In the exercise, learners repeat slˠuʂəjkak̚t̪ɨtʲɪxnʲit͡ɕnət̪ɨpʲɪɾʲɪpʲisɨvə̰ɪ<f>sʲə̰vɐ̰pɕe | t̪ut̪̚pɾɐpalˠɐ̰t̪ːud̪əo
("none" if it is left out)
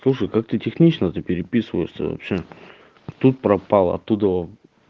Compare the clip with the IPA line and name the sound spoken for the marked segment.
ʂ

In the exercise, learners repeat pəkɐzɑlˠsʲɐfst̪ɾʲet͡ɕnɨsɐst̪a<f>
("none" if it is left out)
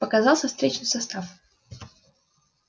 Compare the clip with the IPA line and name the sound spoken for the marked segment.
f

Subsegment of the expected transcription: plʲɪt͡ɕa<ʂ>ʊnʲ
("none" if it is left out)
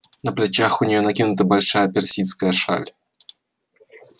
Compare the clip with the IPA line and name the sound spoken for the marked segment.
x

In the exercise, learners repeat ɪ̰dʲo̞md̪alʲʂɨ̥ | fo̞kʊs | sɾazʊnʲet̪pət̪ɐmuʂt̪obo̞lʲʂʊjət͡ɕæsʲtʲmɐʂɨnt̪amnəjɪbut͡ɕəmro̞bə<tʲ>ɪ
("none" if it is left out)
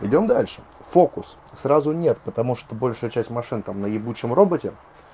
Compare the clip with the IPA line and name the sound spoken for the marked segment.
tʲ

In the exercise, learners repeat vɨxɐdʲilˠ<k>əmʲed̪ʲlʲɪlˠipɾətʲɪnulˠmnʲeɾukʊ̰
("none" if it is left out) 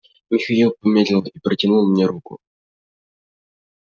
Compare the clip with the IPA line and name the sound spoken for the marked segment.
p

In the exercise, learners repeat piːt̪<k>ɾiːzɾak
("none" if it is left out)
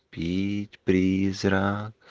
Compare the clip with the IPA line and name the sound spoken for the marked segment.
p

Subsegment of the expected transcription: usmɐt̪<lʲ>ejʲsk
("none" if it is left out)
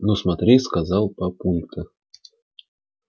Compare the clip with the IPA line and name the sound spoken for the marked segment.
ɾʲ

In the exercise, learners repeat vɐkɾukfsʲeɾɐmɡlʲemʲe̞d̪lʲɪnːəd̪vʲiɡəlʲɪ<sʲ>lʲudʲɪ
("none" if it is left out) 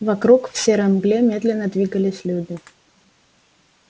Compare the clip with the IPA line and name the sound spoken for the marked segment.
sʲ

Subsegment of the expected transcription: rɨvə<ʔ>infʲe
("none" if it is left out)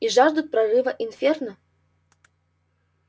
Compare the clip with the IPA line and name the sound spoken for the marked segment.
ʔ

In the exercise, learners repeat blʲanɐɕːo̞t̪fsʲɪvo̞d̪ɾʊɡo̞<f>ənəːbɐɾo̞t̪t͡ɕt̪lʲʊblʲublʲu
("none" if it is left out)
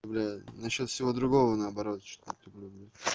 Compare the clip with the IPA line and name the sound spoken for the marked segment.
v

